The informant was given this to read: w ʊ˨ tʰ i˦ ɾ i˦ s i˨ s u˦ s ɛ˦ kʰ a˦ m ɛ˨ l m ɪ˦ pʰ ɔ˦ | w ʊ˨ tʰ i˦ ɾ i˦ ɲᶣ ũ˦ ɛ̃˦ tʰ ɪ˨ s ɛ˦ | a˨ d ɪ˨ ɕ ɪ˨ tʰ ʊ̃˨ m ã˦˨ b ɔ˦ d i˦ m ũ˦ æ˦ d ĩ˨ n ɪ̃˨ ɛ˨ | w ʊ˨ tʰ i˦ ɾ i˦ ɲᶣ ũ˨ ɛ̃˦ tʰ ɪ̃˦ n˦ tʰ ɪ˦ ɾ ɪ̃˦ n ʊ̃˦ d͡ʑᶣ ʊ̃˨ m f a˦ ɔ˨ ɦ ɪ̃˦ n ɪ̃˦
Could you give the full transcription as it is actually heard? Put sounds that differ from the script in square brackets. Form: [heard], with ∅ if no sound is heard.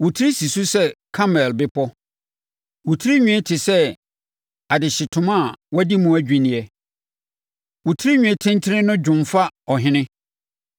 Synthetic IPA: w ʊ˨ tʰ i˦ ɾ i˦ s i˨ s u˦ s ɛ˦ kʰ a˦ m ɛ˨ l [b] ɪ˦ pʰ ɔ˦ | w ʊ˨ tʰ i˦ ɾ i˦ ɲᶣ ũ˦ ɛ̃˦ tʰ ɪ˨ s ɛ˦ | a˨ d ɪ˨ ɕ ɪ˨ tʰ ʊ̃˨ m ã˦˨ [w] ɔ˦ d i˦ m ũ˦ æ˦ [d͡ʑᶣ] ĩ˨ n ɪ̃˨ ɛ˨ | w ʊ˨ tʰ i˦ ɾ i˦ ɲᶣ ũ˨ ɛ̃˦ tʰ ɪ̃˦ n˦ tʰ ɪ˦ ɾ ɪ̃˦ n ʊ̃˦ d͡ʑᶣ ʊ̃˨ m f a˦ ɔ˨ ɦ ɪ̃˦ n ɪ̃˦